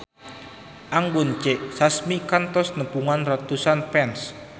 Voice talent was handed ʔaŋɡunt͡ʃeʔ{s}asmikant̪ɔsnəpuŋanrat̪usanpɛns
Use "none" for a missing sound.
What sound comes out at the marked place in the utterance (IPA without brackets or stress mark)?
s